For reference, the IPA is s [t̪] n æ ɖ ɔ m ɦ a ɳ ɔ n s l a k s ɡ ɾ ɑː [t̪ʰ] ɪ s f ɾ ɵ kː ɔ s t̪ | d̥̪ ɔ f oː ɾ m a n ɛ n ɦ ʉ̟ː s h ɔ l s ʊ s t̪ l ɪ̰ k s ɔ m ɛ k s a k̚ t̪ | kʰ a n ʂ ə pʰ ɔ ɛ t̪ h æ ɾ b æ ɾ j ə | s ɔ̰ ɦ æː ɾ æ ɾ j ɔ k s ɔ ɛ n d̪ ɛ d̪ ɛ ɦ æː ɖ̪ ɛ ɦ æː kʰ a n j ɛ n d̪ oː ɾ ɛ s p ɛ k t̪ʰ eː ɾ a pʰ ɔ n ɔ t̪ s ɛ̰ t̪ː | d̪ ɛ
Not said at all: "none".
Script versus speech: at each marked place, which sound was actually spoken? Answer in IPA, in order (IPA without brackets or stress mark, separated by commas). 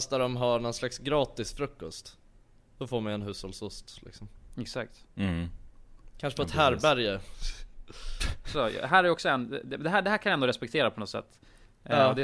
t̪, t̪